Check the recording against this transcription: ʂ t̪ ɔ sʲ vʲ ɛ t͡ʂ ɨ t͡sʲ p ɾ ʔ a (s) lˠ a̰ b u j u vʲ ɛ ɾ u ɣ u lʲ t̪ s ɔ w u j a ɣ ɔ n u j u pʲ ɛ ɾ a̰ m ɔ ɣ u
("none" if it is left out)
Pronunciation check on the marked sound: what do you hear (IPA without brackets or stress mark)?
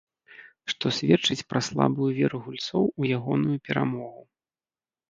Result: s